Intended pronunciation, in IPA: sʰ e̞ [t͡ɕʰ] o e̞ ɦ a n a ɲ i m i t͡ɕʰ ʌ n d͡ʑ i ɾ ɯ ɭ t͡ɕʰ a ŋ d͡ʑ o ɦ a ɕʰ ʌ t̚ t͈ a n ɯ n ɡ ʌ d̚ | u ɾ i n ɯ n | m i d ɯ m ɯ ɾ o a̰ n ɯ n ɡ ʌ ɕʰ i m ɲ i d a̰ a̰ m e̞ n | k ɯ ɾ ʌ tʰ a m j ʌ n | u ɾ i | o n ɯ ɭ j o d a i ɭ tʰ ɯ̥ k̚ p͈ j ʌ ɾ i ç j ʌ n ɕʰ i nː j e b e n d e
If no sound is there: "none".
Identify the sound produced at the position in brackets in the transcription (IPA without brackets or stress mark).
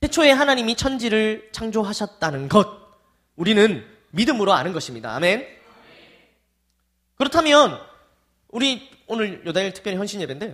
t͡ɕʰ